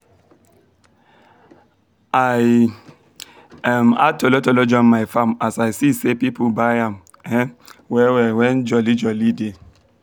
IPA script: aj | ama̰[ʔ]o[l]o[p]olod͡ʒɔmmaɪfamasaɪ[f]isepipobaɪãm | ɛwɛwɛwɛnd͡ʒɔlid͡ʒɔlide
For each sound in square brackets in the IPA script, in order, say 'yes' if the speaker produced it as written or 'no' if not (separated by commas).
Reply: no, yes, no, no